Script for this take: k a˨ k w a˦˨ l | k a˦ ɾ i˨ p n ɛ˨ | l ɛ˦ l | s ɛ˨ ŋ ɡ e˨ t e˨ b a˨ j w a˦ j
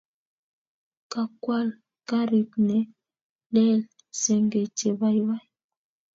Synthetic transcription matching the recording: k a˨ k w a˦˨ l | k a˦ ɾ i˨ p n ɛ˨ | l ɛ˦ l | s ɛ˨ ŋ ɡ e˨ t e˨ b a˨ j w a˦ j